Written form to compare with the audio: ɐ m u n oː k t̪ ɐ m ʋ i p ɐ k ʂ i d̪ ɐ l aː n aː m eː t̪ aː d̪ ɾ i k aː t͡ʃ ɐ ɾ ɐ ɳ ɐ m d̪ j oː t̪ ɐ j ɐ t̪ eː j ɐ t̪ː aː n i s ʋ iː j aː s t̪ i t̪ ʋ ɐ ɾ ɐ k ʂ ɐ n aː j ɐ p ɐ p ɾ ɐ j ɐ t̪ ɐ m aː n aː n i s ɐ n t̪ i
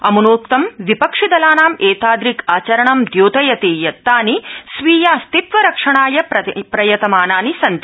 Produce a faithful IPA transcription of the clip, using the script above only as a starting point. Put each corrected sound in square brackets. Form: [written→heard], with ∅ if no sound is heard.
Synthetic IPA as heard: ɐ m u n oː k t̪ ɐ m ʋ i p ɐ k ʂ i d̪ ɐ l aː n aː m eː t̪ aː d̪ ɾ i k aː t͡ʃ ɐ ɾ ɐ ɳ ɐ m d̪ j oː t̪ ɐ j ɐ t̪ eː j ɐ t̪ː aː n i s ʋ iː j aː s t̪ i t̪ ʋ ɐ ɾ ɐ k ʂ ɐ [n→ɳ] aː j ɐ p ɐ p ɾ ɐ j ɐ t̪ ɐ m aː n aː n i s ɐ n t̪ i